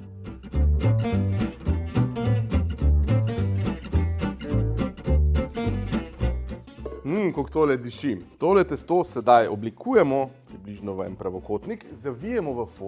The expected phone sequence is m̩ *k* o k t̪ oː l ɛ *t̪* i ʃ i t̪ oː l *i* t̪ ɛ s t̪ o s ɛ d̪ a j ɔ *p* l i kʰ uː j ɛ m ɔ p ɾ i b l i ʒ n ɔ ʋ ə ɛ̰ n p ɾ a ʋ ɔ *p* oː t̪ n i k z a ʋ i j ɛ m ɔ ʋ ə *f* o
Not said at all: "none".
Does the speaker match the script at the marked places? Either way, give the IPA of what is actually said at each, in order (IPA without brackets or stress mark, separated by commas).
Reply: k, d̪, ɛ, b, k, f